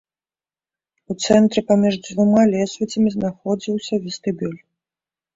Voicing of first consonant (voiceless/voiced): voiceless